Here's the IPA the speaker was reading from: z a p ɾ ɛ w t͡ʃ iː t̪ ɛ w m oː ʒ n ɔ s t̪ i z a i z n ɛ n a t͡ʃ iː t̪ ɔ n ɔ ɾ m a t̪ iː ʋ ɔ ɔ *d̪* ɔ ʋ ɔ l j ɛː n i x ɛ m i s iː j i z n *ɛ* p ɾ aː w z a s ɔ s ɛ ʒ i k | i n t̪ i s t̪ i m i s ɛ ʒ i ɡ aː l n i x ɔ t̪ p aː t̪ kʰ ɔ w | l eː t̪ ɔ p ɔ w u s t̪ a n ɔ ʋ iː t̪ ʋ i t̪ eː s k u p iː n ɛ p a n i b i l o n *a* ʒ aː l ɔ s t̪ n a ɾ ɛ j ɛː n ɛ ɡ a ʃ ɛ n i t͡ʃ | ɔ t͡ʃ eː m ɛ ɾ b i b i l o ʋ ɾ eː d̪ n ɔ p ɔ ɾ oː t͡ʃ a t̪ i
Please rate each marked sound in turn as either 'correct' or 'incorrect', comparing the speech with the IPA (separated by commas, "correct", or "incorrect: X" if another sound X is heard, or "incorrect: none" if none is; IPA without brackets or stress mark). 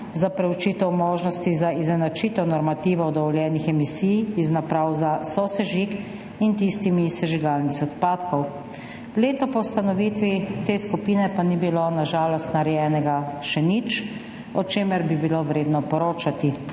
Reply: correct, incorrect: a, correct